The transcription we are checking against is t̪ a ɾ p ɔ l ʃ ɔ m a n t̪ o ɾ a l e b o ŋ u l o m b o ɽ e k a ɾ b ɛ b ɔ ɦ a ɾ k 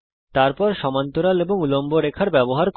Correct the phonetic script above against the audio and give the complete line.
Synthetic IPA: t̪ a ɾ p ɔ ɾ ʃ ɔ m a n t̪ o ɾ a l e b o ŋ u l o m b o ɾ e kʰ a ɾ b ɛ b o ɦ a ɾ k